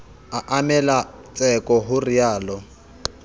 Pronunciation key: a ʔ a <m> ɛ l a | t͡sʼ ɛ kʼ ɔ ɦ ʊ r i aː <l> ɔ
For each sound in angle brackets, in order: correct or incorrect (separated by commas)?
correct, correct